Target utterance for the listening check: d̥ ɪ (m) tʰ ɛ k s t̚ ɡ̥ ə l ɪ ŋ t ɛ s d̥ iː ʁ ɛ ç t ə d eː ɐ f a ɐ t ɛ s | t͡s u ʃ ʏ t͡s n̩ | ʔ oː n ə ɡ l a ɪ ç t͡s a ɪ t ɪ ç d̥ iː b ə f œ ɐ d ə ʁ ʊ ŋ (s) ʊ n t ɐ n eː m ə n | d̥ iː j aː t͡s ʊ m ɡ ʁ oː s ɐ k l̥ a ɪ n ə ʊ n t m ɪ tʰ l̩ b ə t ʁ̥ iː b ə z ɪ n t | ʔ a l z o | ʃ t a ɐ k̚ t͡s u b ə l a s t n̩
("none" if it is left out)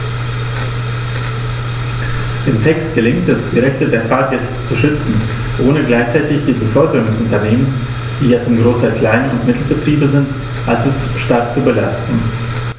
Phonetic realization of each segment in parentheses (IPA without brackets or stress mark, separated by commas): m, s